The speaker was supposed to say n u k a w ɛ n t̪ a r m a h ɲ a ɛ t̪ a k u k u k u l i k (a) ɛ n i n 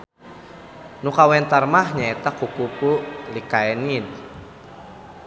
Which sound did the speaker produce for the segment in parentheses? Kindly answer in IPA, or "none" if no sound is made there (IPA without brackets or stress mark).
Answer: a